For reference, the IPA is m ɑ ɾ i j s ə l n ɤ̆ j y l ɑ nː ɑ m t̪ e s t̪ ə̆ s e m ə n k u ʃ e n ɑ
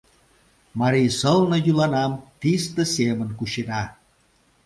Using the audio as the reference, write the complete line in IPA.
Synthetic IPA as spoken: m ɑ ɾ i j s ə l n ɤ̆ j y l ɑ n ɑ m t̪ i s t̪ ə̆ s e m ə n k u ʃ e n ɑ